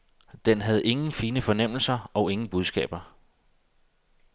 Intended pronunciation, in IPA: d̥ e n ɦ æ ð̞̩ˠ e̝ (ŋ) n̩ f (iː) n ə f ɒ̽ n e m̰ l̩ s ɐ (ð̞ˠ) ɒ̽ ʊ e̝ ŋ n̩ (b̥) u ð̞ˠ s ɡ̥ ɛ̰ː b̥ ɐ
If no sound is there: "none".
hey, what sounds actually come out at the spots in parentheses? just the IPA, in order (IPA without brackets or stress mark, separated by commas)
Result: ŋ, iː, none, b̥